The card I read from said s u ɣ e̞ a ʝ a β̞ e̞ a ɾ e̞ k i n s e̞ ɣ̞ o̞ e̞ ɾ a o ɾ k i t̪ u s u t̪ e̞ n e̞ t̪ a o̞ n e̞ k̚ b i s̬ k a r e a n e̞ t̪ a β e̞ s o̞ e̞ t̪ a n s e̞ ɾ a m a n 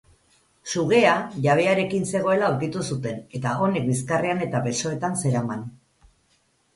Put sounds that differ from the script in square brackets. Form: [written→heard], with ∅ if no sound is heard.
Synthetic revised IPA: s u ɣ e̞ a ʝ a β̞ e̞ a ɾ e̞ k i n s e̞ ɣ̞ o̞ e̞ [ɾ→l] a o ɾ k i t̪ u s u t̪ e̞ n e̞ t̪ a o̞ n e̞ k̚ b i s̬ k a r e a n e̞ t̪ a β e̞ s o̞ e̞ t̪ a n s e̞ ɾ a m a n